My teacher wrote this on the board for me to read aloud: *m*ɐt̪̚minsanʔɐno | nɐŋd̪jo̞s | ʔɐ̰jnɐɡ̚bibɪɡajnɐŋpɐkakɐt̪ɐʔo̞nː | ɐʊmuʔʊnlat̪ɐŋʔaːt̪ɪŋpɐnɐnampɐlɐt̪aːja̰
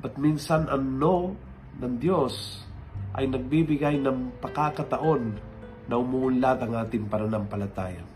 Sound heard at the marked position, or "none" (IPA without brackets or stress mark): b